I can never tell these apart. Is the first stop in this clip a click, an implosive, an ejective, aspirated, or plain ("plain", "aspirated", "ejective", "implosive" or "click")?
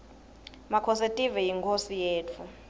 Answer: aspirated